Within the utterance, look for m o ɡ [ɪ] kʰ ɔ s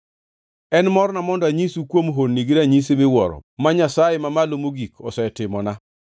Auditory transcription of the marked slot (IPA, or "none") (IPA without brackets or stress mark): i